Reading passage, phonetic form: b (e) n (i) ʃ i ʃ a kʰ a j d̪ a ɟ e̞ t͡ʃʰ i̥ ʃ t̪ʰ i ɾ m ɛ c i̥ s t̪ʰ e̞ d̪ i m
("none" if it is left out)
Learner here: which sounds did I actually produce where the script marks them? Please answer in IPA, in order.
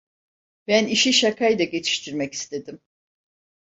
æ, i

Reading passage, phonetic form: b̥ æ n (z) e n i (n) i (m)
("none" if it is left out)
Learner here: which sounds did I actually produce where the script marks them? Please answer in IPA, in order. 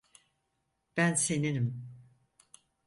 s, n, m

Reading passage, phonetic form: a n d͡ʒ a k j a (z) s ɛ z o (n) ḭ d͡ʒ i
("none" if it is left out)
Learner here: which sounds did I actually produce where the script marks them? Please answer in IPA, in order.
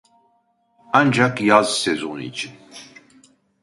z, n

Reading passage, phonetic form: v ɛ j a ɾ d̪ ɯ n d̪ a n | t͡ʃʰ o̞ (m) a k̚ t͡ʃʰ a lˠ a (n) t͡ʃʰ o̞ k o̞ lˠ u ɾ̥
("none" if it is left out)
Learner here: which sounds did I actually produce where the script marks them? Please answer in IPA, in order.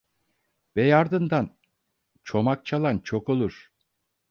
m, n

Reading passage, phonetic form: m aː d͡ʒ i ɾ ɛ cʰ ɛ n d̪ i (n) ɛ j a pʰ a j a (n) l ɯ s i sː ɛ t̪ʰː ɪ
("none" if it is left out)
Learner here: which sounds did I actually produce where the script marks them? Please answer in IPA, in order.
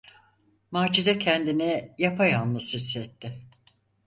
n, n

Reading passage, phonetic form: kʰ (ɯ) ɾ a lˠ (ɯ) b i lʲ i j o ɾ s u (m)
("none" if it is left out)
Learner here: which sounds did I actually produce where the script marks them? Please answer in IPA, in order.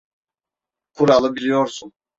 u, ɯ, n

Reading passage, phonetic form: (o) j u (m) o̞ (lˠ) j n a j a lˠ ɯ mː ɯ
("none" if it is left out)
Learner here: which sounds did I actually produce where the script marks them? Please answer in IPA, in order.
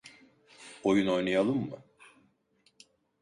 o, n, none

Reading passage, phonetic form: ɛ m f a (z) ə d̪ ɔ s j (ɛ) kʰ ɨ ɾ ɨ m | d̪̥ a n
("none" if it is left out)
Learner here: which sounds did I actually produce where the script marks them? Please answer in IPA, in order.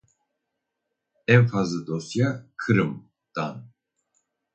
z, a

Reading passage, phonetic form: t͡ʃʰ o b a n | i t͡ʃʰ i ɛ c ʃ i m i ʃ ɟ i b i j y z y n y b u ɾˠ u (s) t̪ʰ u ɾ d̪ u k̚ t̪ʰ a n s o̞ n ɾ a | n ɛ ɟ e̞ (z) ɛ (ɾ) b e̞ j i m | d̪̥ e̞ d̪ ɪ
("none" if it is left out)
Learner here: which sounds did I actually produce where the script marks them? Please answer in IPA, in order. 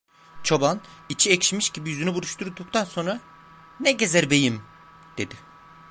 ʃ, z, ɾ

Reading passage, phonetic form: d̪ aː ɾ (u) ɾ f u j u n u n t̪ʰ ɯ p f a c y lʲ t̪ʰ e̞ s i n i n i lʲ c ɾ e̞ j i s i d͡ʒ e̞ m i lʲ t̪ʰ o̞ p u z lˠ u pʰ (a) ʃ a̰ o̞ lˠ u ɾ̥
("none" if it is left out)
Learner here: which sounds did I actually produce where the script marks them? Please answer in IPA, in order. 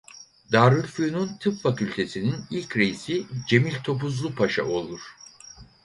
ɯ, a

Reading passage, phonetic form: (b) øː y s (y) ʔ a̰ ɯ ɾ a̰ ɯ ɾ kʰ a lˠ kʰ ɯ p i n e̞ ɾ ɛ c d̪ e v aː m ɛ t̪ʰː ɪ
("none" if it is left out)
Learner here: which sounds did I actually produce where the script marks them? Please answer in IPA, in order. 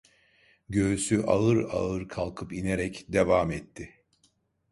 ɟ, y

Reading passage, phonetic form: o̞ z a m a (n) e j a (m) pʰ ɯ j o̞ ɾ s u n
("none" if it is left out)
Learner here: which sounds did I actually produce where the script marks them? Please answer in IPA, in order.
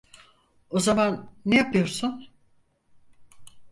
nː, none

